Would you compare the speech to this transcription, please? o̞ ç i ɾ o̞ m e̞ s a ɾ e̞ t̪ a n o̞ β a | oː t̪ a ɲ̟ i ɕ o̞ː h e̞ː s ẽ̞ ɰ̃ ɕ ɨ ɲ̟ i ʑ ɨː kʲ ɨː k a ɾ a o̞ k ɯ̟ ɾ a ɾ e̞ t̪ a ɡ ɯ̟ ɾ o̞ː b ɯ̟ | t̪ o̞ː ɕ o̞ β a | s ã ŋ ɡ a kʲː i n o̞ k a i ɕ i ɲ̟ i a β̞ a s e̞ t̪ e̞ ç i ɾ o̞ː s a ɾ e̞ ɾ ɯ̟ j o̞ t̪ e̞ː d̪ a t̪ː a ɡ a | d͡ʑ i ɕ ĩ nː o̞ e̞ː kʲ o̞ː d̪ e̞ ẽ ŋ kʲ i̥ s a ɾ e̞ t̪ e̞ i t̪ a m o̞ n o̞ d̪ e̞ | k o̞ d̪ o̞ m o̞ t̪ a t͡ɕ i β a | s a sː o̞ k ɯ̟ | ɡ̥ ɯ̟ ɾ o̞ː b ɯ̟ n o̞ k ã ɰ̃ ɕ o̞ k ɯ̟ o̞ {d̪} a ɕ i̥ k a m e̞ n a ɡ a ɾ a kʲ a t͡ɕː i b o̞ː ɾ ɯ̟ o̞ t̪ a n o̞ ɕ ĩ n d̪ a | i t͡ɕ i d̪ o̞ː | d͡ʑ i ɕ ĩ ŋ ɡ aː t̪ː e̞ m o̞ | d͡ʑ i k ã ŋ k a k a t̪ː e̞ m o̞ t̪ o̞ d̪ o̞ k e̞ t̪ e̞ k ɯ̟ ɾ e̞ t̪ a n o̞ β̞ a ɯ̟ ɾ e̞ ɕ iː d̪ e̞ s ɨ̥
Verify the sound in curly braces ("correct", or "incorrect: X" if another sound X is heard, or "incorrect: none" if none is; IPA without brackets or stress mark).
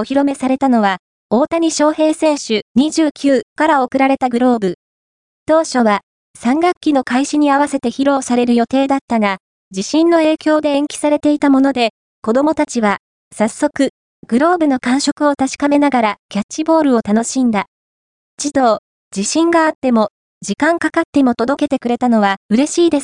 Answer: incorrect: t̪